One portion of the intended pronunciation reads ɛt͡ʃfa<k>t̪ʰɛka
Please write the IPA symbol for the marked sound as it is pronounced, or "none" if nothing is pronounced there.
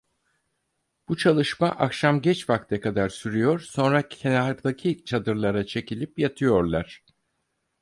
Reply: k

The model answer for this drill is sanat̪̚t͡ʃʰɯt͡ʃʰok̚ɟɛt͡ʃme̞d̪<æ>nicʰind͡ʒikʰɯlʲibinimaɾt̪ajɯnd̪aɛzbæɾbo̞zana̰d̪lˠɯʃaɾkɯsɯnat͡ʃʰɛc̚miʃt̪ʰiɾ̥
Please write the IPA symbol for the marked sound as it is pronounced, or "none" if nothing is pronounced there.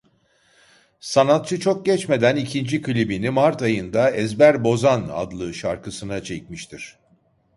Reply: æ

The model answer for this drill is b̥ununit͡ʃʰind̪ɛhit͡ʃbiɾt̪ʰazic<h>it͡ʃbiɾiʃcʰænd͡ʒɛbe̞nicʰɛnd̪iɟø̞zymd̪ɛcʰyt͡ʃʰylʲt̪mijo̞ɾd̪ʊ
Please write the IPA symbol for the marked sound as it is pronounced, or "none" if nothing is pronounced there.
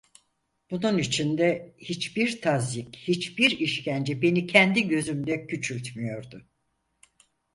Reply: h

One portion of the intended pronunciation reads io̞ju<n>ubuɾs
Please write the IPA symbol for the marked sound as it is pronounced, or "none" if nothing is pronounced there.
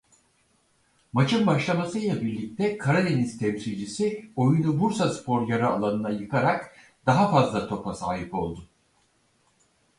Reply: n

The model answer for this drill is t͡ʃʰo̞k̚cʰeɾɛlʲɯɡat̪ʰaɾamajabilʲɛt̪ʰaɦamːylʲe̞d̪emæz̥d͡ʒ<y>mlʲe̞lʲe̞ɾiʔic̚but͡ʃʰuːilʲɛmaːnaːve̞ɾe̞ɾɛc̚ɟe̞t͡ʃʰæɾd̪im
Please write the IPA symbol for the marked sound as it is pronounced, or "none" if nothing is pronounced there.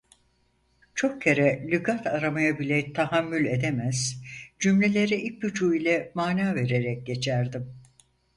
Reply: y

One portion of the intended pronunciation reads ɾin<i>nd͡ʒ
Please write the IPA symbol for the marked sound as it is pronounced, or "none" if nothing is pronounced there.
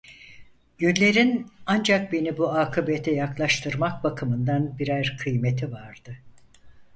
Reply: a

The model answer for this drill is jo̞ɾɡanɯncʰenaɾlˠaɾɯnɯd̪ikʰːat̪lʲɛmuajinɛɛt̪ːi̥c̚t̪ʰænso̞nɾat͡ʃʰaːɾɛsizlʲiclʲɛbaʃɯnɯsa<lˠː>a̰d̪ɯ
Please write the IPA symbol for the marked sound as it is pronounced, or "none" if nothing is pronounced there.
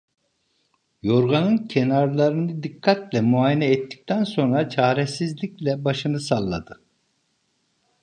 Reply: lˠː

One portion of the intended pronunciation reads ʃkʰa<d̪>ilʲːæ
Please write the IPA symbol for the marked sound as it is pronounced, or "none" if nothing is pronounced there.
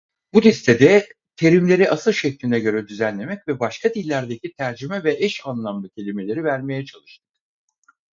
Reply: d̪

